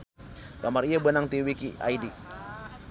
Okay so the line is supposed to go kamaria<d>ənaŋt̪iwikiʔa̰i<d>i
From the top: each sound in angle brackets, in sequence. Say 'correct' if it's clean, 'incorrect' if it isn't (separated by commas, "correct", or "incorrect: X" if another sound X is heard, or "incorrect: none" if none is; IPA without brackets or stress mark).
incorrect: b, correct